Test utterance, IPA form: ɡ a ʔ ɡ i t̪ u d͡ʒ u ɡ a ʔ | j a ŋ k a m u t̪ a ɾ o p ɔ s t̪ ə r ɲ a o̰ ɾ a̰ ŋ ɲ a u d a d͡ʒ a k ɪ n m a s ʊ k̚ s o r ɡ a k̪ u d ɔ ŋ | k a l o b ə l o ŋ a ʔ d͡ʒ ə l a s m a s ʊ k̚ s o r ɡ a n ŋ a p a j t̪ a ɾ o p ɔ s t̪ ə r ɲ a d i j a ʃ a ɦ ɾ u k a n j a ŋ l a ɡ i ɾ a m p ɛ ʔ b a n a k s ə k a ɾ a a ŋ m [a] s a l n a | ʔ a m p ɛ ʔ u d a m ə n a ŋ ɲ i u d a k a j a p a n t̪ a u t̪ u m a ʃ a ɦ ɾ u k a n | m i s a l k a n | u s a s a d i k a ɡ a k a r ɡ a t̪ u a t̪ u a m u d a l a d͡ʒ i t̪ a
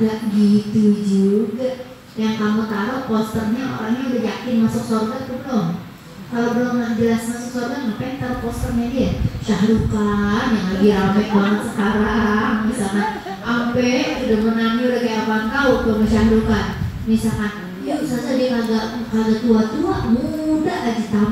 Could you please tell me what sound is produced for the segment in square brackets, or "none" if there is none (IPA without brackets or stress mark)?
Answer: i